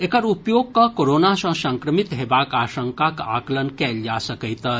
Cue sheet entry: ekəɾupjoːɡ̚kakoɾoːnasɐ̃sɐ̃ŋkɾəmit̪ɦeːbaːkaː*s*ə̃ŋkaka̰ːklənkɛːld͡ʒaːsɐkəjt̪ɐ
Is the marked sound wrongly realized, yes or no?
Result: yes